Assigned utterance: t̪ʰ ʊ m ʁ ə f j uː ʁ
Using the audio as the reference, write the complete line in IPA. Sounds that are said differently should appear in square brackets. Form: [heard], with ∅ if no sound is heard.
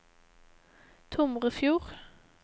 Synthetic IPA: t̪ʰ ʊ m ʁ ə f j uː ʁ